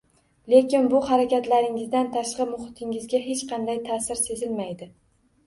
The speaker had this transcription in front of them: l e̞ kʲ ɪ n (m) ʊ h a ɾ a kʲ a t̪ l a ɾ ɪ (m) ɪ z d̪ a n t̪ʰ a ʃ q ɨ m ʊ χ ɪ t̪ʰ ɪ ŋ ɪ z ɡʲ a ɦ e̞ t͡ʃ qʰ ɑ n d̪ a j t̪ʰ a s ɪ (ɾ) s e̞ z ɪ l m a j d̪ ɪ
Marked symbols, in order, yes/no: no, no, yes

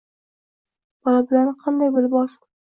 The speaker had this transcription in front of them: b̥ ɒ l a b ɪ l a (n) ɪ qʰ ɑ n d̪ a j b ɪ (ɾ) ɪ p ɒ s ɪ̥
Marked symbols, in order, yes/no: yes, no

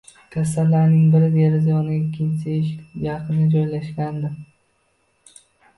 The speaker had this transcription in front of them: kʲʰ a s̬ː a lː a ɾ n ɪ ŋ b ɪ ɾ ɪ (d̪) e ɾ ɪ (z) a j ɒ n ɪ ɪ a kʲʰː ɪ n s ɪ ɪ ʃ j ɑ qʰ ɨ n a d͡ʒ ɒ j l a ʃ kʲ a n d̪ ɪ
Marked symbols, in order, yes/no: yes, yes

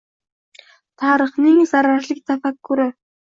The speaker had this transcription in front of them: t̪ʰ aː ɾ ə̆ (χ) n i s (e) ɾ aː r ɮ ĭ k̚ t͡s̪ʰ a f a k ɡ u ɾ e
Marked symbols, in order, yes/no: yes, no

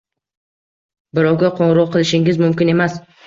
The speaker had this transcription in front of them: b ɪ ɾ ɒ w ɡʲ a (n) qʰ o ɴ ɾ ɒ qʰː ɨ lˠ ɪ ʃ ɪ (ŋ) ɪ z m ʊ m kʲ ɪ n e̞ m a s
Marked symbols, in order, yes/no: no, yes

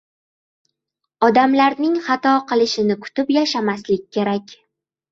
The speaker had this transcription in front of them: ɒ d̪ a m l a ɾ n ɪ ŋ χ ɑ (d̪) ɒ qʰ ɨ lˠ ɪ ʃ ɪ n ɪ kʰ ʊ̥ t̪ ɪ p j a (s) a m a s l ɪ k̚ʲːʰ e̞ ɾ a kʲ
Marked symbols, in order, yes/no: no, no

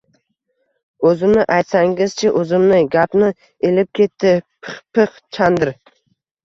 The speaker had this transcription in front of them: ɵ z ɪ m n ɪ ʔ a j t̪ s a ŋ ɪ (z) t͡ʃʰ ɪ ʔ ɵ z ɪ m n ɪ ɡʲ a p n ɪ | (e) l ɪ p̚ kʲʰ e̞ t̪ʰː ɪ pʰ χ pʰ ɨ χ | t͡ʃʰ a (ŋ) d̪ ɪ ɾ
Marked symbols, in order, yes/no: yes, yes, no

